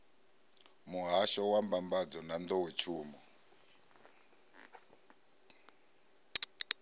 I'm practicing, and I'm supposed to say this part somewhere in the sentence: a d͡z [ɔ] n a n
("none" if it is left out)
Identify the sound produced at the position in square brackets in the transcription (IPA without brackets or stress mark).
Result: ɔ